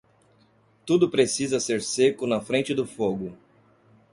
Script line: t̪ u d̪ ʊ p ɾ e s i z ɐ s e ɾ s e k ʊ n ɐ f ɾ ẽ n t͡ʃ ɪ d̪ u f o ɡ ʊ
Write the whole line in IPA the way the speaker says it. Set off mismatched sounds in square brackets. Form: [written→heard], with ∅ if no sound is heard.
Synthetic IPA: t̪ u d̪ ʊ p ɾ e s i z ɐ s e ɾ s e k ʊ n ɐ f ɾ ẽ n t͡ʃ ɪ d̪ [u→ʊ] f o ɡ ʊ